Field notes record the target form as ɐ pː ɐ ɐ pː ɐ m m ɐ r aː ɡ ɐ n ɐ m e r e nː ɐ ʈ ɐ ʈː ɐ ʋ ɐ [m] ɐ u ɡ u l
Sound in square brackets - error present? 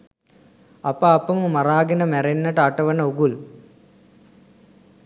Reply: yes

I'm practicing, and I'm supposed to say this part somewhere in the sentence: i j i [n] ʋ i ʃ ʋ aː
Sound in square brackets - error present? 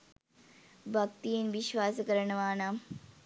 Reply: no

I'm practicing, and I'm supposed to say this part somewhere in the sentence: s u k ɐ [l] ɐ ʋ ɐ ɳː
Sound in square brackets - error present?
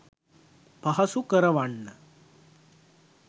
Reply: yes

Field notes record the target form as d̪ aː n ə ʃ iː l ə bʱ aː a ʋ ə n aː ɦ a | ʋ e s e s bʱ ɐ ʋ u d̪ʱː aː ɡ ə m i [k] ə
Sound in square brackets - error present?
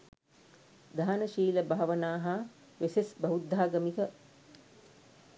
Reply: no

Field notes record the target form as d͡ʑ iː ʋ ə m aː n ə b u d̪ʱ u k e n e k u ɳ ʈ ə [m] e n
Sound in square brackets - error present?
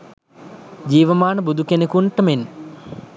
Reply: no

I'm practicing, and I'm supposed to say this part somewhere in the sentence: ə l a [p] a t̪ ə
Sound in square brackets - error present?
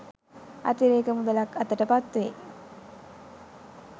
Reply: yes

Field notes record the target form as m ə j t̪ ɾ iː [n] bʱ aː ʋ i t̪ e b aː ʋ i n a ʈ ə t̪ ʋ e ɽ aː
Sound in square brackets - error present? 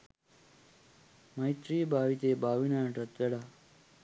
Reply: yes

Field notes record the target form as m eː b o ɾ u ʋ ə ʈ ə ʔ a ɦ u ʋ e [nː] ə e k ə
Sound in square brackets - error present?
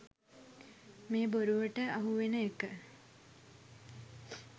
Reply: yes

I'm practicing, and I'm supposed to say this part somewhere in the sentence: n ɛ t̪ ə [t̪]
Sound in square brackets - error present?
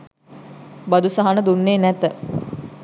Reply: yes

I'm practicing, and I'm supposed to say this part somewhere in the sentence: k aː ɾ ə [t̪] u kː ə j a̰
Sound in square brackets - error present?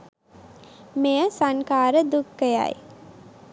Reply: yes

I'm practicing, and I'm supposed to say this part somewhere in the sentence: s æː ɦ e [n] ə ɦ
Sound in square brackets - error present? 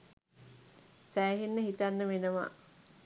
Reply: yes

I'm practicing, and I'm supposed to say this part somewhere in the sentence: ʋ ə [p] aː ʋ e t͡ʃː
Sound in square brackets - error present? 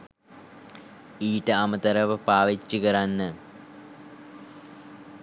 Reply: no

